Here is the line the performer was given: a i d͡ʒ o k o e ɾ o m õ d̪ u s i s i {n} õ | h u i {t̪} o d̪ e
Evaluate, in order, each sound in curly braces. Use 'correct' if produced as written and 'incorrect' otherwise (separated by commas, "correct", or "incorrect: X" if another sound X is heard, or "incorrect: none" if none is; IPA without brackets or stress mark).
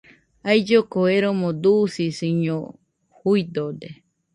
incorrect: ɲ, incorrect: d̪